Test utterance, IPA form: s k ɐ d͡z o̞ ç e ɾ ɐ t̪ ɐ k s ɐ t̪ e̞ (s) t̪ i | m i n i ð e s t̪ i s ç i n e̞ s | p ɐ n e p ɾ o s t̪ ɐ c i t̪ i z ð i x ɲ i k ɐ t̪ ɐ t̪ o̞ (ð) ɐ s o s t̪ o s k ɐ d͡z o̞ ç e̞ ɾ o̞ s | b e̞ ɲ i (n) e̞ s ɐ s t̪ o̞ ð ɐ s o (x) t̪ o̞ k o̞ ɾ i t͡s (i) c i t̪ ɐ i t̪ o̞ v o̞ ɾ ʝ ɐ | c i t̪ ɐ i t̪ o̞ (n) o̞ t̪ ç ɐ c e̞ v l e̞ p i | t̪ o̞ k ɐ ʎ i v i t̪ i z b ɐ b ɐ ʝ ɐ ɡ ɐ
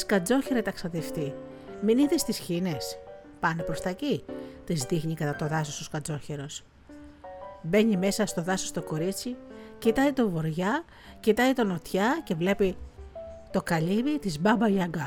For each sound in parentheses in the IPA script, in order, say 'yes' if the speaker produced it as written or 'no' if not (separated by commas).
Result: no, yes, no, no, yes, yes